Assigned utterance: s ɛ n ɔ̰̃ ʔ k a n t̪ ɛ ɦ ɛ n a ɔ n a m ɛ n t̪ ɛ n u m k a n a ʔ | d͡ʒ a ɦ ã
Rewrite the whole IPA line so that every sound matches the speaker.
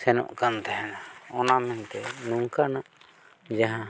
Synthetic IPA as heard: s ɛ n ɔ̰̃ ʔ k a n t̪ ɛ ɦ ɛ n a ɔ n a m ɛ n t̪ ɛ n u ŋ k a n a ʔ | d͡ʒ a ɦ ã